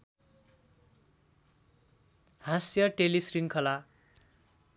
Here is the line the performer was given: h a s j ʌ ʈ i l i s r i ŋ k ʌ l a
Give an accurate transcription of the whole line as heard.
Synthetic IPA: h a s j ʌ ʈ e l i s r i ŋ kʰ ʌ l a